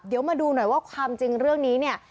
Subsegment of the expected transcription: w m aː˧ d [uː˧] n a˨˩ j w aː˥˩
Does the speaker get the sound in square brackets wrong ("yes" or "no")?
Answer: no